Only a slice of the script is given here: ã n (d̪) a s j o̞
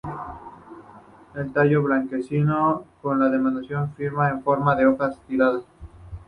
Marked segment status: correct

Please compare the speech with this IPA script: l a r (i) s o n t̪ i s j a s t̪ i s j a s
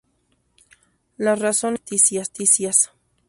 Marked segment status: incorrect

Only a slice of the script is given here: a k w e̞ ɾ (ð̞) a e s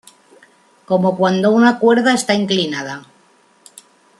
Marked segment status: correct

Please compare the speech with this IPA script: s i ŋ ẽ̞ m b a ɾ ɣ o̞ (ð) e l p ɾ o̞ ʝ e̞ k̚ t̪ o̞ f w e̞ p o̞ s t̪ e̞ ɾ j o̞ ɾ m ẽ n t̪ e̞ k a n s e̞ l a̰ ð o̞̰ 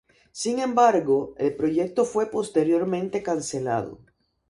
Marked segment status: incorrect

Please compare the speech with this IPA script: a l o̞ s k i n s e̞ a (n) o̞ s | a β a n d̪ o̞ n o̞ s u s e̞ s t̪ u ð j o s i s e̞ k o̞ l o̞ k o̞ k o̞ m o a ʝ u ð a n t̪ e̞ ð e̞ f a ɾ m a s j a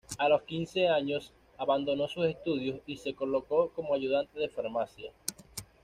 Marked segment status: incorrect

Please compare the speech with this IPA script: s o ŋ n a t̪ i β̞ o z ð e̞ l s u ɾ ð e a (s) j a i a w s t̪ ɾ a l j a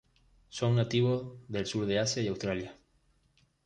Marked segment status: correct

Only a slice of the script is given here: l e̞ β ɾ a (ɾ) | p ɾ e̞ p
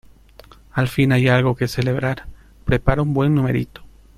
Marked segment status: correct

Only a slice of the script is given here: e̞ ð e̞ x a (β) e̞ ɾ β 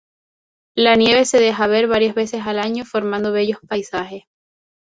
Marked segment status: correct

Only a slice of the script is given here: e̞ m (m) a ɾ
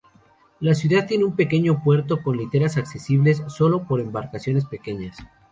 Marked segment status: incorrect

